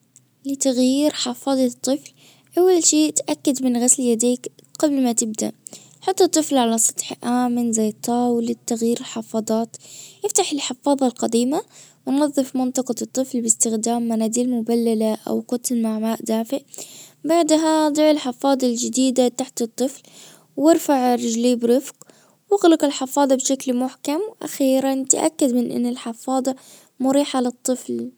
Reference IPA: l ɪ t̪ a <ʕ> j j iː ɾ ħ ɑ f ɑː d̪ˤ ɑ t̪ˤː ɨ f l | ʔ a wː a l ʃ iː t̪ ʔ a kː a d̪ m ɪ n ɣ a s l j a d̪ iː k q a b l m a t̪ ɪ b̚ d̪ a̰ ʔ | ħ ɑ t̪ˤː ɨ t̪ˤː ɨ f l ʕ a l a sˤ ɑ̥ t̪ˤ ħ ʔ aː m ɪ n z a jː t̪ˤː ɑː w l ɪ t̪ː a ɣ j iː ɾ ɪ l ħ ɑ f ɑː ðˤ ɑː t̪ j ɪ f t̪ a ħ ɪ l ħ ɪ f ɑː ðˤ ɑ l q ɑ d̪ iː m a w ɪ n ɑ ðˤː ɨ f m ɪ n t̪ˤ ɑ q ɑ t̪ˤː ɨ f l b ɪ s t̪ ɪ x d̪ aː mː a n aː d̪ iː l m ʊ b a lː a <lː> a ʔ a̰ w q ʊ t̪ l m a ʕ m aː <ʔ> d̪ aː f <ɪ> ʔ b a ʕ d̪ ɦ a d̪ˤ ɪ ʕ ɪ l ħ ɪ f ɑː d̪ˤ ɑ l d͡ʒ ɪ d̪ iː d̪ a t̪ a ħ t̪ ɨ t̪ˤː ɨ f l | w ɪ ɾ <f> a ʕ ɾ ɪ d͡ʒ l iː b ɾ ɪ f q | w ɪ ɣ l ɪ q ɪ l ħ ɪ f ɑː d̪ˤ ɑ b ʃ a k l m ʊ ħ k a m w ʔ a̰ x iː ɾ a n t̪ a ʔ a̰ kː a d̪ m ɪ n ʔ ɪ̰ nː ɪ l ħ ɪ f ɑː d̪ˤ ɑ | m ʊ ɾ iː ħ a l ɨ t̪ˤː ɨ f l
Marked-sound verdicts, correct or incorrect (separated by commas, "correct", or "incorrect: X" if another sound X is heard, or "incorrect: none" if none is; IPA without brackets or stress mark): incorrect: ɣ, incorrect: l, correct, correct, correct